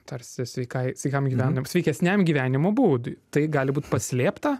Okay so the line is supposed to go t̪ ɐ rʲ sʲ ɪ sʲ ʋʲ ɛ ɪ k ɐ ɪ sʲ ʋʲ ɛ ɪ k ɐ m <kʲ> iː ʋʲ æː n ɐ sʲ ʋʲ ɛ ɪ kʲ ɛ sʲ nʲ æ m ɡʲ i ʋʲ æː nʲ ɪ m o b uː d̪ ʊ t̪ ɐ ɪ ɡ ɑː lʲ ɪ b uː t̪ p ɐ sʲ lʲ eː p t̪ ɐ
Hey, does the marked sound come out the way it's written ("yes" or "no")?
no